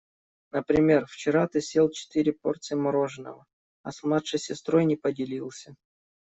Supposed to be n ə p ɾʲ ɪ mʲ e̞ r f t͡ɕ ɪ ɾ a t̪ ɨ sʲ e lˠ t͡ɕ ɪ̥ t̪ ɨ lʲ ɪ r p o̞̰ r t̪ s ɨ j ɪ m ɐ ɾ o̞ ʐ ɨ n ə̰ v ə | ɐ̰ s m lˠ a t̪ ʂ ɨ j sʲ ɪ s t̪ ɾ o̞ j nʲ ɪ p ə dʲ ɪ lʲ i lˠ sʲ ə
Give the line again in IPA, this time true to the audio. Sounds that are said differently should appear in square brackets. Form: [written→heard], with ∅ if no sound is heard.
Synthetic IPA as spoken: n ə p ɾʲ ɪ mʲ e̞ r f t͡ɕ ɪ ɾ a t̪ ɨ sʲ e lˠ t͡ɕ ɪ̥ t̪ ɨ [lʲ→ɾʲ] ɪ [r→∅] p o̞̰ r t̪ s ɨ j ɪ m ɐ ɾ o̞ ʐ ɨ n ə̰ v ə | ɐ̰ s m lˠ a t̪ ʂ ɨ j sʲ ɪ s t̪ ɾ o̞ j nʲ ɪ p ə dʲ ɪ lʲ i lˠ sʲ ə